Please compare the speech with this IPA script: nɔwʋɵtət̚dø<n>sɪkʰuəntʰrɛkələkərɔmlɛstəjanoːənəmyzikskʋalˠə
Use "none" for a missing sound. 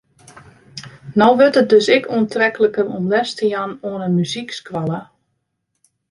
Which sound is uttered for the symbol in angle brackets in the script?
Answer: none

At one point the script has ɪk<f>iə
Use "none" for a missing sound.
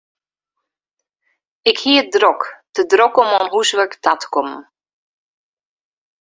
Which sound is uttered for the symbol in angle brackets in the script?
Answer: h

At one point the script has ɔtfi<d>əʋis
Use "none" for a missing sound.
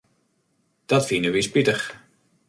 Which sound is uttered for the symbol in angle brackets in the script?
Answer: n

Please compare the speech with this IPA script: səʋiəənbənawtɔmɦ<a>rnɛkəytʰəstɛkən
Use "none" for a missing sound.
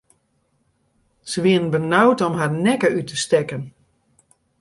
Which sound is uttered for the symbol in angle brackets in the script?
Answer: a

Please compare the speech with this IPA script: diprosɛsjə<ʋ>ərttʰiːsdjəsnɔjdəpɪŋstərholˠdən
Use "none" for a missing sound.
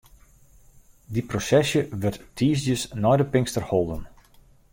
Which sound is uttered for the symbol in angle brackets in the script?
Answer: ʋ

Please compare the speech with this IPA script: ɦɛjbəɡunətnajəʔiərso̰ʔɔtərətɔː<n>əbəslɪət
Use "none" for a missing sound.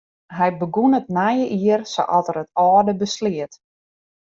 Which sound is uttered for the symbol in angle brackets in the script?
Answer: d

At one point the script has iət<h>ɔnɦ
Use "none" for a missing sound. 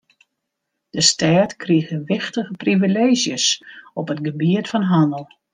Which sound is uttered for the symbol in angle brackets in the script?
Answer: f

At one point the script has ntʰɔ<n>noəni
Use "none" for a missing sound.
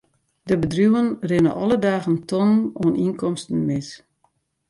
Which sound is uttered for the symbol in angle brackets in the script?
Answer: n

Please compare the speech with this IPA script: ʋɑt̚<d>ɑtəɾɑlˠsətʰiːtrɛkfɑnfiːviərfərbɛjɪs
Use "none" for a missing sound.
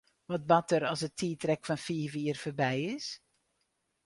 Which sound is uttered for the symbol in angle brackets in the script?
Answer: b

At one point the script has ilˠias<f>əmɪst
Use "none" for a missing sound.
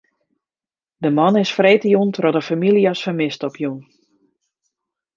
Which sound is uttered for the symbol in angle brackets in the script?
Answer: f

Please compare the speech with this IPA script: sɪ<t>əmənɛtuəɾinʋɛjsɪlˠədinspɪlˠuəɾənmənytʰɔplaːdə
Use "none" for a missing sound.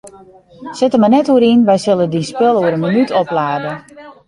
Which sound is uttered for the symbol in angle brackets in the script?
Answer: t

